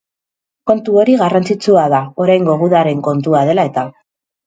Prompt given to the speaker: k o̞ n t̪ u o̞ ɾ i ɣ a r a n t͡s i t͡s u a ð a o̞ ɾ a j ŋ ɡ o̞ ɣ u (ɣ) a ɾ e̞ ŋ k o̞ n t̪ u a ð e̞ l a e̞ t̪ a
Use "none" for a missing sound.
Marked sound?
ð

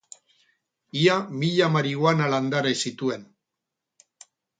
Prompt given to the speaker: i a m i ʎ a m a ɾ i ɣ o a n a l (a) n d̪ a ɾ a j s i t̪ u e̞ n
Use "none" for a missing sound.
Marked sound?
a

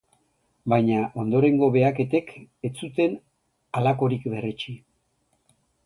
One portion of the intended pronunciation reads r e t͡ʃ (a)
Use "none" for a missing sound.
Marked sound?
i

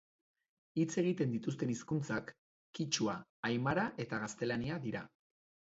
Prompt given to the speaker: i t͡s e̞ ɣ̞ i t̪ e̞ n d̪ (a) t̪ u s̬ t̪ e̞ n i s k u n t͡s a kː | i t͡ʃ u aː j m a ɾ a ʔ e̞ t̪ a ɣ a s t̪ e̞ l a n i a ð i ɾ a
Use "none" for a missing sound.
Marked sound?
i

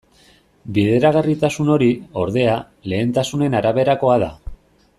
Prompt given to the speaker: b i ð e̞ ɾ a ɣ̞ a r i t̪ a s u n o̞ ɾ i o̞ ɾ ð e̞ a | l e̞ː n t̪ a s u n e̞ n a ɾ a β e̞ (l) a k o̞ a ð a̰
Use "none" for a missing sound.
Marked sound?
ɾ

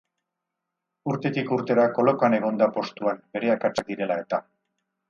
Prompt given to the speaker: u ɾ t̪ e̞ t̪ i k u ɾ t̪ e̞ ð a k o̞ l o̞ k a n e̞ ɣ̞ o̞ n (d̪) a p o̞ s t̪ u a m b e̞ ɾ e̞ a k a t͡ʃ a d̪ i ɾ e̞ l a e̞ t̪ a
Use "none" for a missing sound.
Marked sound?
d̪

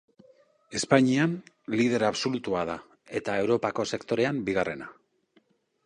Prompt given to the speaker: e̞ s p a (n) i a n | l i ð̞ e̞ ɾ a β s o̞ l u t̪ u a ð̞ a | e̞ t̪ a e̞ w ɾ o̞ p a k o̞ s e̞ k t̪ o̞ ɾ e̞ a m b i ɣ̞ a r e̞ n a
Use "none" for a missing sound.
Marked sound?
ɲ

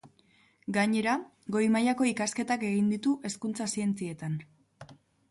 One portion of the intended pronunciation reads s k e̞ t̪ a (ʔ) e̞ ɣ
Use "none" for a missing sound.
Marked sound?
k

